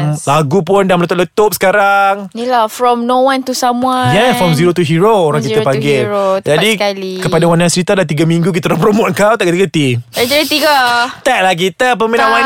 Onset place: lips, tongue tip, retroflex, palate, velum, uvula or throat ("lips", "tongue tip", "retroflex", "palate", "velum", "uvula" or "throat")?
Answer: tongue tip